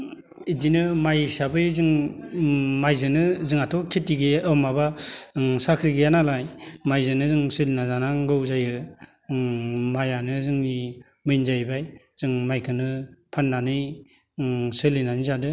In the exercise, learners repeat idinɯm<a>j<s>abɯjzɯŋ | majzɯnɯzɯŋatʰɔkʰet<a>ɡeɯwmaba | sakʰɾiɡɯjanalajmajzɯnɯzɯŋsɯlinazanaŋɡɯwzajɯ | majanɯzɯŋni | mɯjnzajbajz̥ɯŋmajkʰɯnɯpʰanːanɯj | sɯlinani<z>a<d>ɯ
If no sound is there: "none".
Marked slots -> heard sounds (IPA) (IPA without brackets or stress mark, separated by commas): a, s, i, z, d